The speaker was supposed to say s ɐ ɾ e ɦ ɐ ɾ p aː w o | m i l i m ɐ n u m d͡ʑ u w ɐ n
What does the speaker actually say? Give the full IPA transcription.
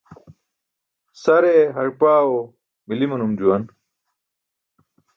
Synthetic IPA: s ɐ ɾ e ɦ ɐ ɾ p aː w o | m i l i m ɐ n u m d͡ʑ u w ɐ n